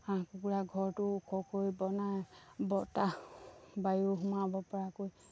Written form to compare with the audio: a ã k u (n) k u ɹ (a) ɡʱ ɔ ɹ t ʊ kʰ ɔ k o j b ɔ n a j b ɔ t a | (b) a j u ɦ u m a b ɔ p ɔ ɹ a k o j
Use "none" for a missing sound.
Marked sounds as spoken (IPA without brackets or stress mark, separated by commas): none, a, b